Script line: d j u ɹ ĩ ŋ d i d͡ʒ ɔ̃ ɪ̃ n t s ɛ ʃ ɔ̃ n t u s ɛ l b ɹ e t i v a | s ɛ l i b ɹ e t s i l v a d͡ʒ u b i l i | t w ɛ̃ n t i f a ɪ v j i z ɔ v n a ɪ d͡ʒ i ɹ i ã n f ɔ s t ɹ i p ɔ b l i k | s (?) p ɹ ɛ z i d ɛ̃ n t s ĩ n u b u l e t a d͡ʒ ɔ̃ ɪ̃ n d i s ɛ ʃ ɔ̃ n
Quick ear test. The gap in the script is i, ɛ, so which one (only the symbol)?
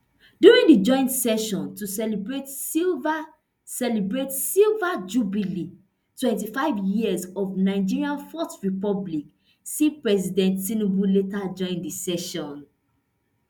i